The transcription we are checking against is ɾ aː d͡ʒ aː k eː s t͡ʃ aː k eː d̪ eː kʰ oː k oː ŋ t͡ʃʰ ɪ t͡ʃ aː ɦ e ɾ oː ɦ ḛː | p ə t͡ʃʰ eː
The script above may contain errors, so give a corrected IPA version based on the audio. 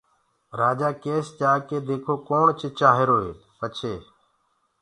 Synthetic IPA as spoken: ɾ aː d͡ʒ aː k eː s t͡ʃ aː k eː d̪ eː kʰ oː k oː ɳ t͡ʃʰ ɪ t͡ʃ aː ɦ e ɾ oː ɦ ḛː | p ə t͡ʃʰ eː